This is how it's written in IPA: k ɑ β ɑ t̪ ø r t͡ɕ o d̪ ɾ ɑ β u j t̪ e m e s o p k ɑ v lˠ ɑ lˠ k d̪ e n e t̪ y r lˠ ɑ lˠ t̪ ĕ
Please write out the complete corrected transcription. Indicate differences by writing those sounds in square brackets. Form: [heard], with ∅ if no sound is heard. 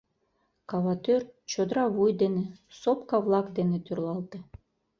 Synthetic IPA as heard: k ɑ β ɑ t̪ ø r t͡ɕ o d̪ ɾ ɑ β u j [d̪] e [n] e s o p k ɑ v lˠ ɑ [∅] k d̪ e n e t̪ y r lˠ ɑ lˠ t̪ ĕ